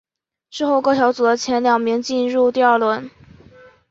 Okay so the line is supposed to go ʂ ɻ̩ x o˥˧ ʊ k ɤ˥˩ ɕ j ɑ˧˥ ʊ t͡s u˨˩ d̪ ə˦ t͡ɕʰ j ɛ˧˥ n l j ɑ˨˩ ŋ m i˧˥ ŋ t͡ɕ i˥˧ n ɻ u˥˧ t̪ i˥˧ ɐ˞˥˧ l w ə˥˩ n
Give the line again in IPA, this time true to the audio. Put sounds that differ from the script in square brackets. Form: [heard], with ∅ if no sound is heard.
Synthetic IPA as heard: ʂ ɻ̩ x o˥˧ ʊ k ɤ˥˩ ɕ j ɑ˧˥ ʊ t͡s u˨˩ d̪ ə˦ t͡ɕʰ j ɛ˧˥ n l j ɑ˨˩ ŋ m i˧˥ ŋ t͡ɕ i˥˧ n ɻ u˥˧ t̪ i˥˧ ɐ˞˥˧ l w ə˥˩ n